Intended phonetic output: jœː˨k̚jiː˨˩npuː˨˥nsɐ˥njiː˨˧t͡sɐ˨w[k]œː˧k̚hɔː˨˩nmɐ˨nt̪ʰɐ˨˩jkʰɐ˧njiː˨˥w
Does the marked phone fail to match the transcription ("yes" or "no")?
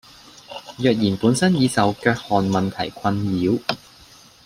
no